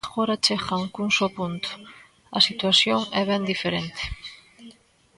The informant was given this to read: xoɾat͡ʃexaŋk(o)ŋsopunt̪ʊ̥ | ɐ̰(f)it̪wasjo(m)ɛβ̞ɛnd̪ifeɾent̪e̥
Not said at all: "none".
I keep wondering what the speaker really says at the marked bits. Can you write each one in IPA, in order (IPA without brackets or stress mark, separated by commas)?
u, s, ŋ